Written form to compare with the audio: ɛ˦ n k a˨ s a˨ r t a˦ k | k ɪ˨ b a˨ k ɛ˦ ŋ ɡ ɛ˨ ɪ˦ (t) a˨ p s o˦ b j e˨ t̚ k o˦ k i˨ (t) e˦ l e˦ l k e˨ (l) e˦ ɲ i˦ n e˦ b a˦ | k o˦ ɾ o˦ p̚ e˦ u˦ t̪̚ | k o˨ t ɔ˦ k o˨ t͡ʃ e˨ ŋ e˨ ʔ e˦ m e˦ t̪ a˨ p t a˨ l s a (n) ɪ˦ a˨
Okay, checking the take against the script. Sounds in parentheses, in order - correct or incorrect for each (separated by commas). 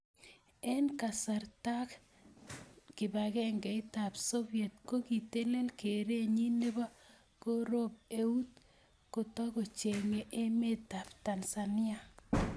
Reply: correct, correct, incorrect, correct